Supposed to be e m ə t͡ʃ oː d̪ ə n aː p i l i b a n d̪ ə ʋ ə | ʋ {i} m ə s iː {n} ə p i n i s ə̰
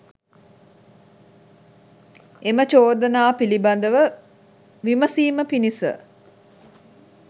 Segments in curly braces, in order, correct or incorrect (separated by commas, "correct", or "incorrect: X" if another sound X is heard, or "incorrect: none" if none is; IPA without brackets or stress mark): correct, incorrect: m